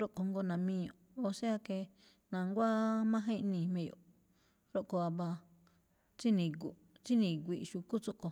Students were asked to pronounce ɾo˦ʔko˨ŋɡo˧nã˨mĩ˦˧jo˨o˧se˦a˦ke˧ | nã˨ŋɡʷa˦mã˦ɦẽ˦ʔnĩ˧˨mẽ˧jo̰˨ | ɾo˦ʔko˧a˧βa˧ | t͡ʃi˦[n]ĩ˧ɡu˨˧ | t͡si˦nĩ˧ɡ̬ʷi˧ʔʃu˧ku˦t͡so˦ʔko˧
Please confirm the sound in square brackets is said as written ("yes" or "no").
yes